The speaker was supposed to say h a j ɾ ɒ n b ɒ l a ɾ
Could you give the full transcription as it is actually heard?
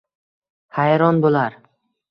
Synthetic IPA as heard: h a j ɾ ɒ n b o l a ɾ